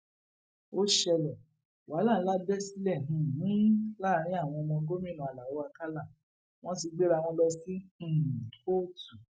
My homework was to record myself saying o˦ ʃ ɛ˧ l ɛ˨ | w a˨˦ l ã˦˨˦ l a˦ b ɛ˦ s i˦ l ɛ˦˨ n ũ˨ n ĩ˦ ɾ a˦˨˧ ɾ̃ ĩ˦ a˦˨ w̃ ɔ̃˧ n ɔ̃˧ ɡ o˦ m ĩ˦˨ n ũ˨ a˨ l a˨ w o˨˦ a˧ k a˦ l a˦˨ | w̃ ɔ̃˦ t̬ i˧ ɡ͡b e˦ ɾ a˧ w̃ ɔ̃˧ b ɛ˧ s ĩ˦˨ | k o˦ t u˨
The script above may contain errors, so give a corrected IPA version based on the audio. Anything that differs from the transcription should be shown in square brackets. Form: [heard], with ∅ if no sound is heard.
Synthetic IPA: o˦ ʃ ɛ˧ l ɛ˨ | w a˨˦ l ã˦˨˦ l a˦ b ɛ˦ s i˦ l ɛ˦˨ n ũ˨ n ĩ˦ [l] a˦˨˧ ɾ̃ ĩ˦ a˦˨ w̃ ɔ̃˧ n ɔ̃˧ ɡ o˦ m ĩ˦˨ n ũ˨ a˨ l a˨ w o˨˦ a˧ k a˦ l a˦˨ | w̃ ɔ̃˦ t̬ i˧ ɡ͡b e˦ ɾ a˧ w̃ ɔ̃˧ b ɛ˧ s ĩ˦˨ | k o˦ t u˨